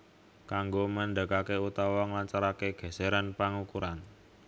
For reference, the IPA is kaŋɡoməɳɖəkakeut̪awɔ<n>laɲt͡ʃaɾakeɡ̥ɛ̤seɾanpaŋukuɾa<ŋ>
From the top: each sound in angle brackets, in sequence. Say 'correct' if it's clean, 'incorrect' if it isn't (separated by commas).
incorrect, incorrect